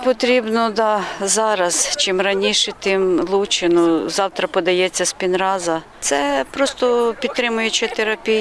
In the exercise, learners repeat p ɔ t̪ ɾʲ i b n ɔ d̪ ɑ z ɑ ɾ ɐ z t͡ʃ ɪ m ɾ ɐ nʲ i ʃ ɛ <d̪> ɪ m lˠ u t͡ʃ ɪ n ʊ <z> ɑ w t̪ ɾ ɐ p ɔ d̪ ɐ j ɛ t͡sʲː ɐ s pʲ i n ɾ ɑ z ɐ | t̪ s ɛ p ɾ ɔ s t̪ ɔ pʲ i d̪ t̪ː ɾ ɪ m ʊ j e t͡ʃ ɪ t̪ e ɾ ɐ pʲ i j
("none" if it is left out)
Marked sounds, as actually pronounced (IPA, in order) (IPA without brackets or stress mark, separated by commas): t̪, z